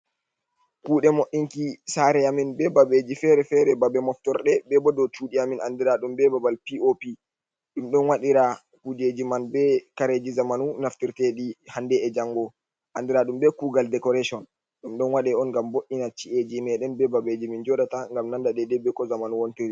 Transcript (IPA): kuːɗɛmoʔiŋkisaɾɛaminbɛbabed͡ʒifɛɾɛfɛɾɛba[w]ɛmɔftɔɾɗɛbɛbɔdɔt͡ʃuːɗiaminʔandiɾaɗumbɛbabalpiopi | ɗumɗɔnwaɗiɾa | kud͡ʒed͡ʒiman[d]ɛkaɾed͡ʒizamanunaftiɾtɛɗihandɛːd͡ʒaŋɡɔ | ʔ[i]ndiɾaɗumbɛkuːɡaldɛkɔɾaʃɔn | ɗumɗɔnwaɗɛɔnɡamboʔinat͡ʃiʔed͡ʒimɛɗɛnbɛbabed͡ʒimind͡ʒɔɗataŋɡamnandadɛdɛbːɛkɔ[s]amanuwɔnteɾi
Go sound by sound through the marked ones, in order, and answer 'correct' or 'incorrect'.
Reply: incorrect, incorrect, incorrect, incorrect

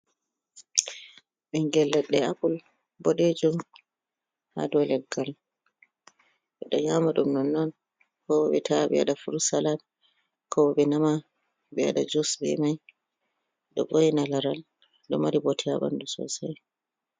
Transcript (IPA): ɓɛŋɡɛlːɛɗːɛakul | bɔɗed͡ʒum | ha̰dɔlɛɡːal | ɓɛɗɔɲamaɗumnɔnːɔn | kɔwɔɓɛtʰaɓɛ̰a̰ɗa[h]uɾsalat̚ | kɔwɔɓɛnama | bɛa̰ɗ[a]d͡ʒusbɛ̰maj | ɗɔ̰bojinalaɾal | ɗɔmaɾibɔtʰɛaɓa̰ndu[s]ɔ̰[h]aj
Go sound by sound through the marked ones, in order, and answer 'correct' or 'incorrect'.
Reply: incorrect, correct, correct, incorrect

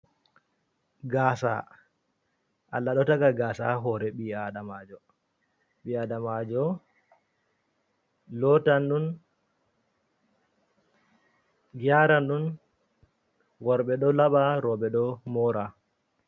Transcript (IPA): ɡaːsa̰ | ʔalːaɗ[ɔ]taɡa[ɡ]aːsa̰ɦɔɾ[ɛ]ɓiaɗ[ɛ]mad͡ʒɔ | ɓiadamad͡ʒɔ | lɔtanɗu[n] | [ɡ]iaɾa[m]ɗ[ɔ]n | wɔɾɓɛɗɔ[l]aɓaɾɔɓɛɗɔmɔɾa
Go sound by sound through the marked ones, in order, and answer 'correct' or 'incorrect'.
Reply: correct, correct, correct, incorrect, correct, correct, incorrect, incorrect, correct

